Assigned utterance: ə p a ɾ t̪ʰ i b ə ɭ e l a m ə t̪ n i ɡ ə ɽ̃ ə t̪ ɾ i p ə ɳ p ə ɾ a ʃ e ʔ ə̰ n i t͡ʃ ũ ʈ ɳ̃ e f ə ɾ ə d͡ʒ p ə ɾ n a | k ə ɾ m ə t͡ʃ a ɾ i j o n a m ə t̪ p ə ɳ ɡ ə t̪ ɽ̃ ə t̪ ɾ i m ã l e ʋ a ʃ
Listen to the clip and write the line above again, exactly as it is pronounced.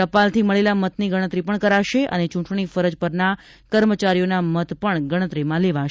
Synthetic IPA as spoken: ə p a l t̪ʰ i m ə ɭ e l a m ə t̪ n i ɡ ə ɽ̃ ə t̪ ɾ i p ə ɳ k ə ɾ a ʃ e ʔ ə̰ n e t͡ʃ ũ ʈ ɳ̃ i f ə ɾ ə d͡ʒ p ə ɾ n a | k ə ɾ m ə t͡ʃ a ɾ i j o n a m ə t̪ p ə ɳ ɡ ə ɽ̃ ə t̪ ɾ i m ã l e ʋ a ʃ